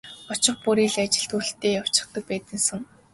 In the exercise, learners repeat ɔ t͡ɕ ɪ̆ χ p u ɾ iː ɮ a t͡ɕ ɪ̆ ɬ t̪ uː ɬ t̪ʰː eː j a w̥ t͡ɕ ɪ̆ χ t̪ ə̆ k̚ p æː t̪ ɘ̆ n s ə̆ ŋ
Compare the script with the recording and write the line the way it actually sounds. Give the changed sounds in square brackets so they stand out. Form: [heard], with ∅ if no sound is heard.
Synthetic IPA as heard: ɔ t͡ɕ ɪ̆ χ p u ɾ iː ɮ a t͡ɕ ɪ̆ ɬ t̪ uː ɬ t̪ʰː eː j a w̥ t͡ɕ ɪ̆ χ t̪ ə̆ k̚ p æː t̪ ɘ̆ n s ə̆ ŋ